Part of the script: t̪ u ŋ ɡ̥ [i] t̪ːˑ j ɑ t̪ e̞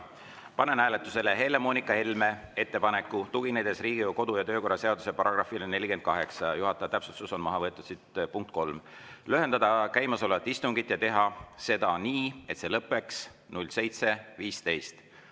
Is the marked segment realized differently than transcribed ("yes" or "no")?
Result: no